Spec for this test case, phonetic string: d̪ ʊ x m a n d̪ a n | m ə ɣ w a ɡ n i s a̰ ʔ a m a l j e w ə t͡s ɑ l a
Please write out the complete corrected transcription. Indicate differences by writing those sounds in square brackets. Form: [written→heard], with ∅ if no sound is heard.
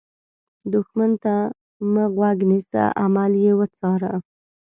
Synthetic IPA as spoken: d̪ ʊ x m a n [d̪→t̪] a [n→∅] | m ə ɣ w a ɡ n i s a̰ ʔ a m a l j e w ə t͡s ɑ [l→ɾ] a